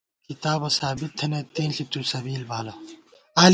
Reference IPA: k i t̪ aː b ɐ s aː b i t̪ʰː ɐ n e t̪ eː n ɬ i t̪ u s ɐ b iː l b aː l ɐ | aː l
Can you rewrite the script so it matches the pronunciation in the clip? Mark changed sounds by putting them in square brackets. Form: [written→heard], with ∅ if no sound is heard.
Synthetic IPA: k i t̪ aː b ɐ s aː b i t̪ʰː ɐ n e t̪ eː n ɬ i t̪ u s ɐ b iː l b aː l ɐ | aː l